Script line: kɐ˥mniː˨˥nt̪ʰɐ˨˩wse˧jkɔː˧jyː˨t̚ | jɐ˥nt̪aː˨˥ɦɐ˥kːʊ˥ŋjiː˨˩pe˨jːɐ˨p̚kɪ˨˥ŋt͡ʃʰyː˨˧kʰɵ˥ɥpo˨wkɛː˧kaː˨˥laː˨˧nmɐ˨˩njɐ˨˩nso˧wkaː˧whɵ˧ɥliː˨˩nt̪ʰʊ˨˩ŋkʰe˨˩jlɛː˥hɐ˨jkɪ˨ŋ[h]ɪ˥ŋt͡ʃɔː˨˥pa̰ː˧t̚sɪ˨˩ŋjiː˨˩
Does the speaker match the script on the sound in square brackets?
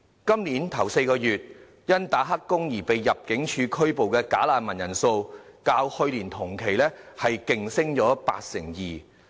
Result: no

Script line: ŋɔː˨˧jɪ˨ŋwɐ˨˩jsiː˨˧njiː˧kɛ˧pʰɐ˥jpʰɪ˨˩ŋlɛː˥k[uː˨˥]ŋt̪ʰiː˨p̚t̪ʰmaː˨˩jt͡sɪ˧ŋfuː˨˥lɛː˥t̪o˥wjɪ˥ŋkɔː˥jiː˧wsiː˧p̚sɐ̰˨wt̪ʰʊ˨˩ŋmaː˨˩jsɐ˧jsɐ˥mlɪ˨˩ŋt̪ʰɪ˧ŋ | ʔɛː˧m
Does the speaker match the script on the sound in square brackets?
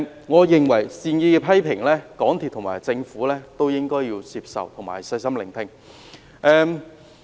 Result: no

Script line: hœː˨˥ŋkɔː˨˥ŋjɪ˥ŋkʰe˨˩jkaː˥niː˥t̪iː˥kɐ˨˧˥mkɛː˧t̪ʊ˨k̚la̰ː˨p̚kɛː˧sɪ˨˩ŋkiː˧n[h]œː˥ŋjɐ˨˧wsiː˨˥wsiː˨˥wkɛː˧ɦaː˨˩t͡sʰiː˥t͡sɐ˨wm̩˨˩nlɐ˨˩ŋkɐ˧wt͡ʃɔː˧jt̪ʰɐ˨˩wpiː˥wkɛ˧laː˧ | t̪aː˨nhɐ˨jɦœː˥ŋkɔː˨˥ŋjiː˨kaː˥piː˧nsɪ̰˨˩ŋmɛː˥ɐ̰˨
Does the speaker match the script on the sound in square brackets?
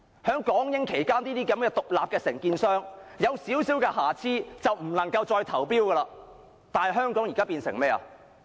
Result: no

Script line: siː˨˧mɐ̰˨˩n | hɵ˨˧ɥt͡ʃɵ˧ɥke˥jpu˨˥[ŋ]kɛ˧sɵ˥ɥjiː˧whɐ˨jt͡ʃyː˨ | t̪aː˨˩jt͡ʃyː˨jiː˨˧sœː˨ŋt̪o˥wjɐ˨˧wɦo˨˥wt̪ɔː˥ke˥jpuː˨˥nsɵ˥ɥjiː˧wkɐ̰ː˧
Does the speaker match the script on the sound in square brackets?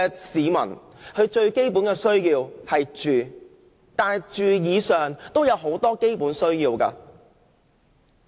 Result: no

